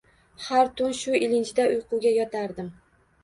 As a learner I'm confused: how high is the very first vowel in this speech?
low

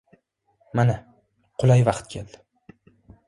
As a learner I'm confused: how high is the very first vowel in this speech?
low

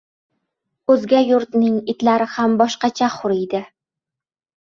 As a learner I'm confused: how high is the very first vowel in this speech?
mid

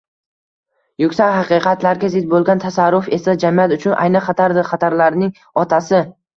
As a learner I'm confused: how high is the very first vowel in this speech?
high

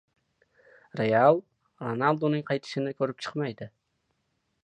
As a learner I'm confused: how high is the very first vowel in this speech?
mid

